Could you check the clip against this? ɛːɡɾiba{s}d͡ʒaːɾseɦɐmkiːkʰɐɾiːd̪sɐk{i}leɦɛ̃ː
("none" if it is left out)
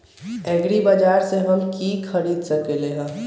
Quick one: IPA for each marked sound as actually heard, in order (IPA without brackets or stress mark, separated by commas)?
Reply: none, e